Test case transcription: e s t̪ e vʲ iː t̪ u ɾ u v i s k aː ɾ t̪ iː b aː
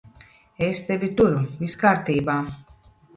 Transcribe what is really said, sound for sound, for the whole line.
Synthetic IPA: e s t̪ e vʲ i t̪ u ɾ u v i s k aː ɾ t̪ iː b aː